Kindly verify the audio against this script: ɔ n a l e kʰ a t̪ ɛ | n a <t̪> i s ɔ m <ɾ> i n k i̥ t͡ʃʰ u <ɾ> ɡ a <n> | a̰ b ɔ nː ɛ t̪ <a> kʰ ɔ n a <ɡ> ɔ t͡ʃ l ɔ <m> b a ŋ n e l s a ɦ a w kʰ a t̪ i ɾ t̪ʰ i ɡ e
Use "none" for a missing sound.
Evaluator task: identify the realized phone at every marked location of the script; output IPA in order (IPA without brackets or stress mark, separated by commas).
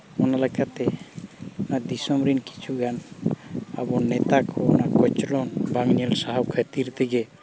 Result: d̪, ɾ, none, n, a, k, n